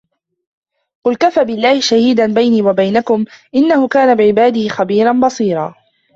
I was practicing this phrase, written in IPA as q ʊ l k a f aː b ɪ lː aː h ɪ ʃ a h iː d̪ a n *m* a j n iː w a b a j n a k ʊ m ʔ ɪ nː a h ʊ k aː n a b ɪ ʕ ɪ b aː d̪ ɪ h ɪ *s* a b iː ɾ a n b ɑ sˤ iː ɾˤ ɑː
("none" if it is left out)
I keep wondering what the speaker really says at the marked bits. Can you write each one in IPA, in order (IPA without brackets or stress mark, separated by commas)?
b, x